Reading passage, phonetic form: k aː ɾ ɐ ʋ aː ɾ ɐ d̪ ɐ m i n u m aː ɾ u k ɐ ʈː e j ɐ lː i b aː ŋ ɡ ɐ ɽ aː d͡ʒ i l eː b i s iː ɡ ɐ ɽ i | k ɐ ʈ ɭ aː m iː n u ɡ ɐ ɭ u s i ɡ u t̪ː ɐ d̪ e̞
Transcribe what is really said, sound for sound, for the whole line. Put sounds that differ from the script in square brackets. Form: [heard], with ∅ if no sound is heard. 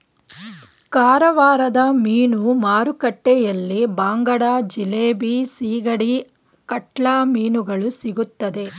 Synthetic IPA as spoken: k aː ɾ ɐ ʋ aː ɾ ɐ d̪ ɐ m [iː] n u m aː ɾ u k ɐ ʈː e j ɐ lː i b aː ŋ ɡ ɐ ɽ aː d͡ʒ i l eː b i s iː ɡ ɐ ɽ i | k ɐ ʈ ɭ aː m iː n u ɡ ɐ ɭ u s i ɡ u t̪ː ɐ d̪ e̞